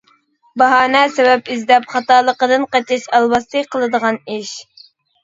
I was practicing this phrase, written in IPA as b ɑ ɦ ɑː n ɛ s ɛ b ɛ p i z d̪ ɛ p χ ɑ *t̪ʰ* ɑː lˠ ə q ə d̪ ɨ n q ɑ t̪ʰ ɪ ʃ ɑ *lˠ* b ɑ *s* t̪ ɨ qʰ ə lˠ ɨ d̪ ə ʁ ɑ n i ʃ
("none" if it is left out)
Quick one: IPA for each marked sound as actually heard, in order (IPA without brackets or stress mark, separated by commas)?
t̪, lˠ, s